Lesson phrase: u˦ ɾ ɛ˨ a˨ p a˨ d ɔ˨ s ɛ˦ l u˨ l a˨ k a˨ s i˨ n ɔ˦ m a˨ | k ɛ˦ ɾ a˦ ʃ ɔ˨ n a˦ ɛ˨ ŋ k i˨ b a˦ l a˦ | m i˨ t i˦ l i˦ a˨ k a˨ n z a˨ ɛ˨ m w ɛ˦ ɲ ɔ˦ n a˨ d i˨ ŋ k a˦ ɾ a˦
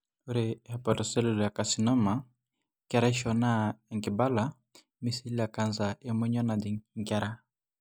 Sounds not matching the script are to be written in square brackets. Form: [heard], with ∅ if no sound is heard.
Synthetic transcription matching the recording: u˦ ɾ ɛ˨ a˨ p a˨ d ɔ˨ s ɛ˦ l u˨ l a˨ k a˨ s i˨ n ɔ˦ m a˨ | k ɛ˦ ɾ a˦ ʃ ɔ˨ n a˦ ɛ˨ ŋ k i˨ b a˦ l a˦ | m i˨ [s] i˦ l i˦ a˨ k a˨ n z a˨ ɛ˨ m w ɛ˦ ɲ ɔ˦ n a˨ d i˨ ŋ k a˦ ɾ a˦

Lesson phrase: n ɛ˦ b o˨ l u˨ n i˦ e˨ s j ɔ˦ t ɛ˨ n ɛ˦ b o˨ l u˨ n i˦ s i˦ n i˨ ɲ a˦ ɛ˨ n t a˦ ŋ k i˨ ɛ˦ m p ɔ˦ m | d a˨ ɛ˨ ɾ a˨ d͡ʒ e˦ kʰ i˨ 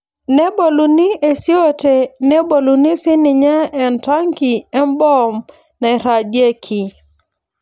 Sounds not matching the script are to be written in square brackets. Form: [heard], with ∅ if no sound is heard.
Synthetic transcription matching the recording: n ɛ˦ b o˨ l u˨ n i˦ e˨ s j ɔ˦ t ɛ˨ n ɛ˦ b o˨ l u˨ n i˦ s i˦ n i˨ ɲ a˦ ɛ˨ n t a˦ ŋ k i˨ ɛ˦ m [b] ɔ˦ m | [n] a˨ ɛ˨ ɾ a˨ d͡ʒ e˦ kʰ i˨

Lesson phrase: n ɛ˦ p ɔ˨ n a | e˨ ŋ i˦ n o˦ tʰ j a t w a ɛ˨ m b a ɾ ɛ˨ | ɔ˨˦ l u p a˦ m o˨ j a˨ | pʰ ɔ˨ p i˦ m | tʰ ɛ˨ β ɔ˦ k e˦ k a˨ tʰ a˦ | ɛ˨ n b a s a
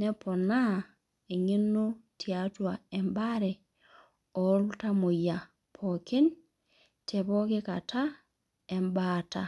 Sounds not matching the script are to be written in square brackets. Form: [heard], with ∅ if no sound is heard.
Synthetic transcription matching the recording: n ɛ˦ p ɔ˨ n a | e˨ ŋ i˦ n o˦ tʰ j a t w a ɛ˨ m b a ɾ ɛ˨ | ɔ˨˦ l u [t] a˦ m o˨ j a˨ | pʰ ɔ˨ [k] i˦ [n] | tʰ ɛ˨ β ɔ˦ k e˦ k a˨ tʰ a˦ | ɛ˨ [m] b a [t] a

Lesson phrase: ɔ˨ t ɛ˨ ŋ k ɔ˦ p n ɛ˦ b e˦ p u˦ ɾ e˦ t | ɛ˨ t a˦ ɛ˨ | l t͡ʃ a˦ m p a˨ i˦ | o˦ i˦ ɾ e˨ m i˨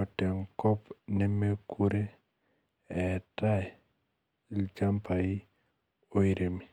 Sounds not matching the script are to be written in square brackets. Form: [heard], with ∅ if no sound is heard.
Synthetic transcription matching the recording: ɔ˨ t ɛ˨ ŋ k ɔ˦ p n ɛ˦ [m] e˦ [k] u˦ ɾ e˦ [∅] | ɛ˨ t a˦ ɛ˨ | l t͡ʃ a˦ m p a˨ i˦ | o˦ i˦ ɾ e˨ m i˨

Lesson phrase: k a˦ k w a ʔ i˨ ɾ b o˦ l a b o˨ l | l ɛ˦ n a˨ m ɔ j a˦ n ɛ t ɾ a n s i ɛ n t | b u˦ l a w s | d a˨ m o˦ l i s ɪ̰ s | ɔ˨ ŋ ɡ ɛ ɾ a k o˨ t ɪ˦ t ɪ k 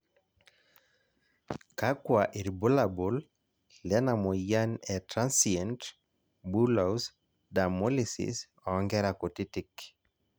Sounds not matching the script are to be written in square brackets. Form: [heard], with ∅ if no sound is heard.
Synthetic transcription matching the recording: k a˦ k w a ʔ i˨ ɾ b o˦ l a b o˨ l | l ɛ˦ n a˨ m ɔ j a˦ n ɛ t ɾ a n s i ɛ n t | b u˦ l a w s | d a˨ m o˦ l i s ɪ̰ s | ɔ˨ ŋ ɡ ɛ ɾ a k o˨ t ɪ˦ t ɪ k

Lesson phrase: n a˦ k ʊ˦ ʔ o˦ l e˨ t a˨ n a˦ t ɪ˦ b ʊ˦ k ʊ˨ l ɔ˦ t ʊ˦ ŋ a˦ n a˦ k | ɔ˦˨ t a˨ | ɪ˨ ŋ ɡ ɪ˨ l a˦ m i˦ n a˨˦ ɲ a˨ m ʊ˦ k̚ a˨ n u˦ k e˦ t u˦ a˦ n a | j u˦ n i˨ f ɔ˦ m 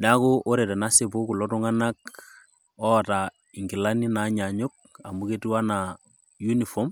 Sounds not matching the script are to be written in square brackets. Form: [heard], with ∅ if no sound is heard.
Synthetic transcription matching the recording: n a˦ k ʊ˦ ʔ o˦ [ɾ] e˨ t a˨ n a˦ [s] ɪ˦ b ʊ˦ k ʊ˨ l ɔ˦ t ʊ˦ ŋ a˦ n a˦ k | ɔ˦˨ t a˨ | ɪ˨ ŋ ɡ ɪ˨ l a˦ [n] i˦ n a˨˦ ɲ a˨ [ɲ] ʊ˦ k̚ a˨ [m] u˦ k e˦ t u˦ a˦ n a | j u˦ n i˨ f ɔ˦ m

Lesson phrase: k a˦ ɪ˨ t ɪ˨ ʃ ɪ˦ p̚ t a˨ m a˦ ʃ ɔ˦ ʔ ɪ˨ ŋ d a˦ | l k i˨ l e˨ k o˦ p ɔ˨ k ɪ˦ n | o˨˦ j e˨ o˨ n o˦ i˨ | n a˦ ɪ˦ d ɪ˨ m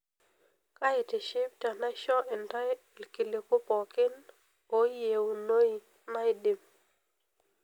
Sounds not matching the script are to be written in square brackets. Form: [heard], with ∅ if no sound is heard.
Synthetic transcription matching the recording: k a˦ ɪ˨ t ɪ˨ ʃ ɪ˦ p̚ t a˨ [n] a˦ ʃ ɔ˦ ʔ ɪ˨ [n] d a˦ | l k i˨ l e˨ k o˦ p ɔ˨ k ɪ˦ n | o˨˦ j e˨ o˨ n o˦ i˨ | n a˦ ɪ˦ d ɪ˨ m

